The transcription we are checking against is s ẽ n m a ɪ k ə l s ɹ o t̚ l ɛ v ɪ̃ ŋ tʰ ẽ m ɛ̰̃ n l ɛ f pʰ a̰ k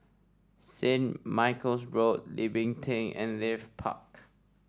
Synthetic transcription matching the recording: s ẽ n m a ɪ k ə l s ɹ o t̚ l i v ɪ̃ ŋ tʰ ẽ ŋ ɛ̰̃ n l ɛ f pʰ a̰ k